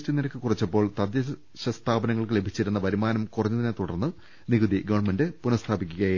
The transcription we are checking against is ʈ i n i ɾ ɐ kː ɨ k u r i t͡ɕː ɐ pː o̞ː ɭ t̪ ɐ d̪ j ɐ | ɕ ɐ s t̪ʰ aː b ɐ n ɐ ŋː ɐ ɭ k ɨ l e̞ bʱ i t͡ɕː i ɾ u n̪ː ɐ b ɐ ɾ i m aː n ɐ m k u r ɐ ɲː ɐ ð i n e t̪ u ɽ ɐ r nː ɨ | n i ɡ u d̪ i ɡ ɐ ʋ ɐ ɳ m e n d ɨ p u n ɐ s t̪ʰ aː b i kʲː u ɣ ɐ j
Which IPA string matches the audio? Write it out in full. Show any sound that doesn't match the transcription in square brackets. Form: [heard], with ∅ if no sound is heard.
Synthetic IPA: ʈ i n i ɾ ɐ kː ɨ k u r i t͡ɕː ɐ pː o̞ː ɭ t̪ ɐ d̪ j ɐ | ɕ ɐ s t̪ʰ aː b ɐ n ɐ ŋː ɐ ɭ k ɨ l e̞ bʱ i t͡ɕː i ɾ u n̪ː ɐ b ɐ ɾ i m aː n ɐ m k u r ɐ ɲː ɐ ð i n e t̪ u ɽ ɐ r nː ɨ | n i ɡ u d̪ i ɡ ɐ ʋ ɐ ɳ m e n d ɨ p u n ɐ s t̪ʰ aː b i kʲː u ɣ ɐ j